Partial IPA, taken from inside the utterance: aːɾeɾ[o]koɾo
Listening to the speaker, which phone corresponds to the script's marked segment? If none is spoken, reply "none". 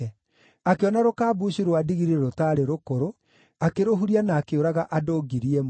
o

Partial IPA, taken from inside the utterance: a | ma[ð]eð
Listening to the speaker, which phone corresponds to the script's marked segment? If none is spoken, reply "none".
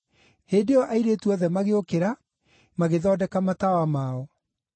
ɣ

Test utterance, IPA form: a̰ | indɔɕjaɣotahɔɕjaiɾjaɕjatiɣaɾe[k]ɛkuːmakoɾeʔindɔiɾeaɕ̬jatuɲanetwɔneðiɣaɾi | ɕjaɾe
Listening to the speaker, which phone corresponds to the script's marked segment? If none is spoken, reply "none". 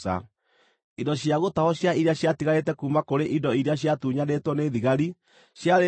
t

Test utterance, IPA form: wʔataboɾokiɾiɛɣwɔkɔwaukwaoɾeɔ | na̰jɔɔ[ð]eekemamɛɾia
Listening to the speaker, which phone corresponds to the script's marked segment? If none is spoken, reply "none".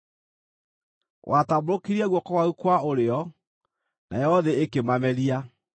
ð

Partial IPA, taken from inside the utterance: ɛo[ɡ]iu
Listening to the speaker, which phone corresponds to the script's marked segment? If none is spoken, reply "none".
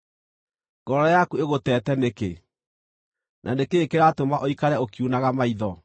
k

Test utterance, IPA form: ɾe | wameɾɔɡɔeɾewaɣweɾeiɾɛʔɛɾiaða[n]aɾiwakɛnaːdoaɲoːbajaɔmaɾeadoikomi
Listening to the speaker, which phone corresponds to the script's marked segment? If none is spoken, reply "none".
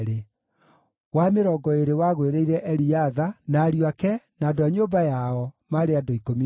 n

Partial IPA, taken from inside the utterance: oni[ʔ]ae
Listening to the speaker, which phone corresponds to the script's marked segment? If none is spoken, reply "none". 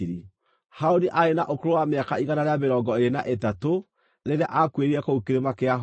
ʔ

